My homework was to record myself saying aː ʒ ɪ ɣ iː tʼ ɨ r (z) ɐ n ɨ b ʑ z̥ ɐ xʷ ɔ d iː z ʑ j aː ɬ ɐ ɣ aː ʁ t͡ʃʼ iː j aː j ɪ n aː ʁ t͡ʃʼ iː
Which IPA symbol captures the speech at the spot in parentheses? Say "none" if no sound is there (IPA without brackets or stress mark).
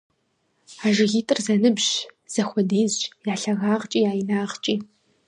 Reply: z